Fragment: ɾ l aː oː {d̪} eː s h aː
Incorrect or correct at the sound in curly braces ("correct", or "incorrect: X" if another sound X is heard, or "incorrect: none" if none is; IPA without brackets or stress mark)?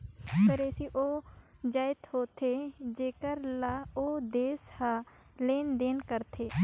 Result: correct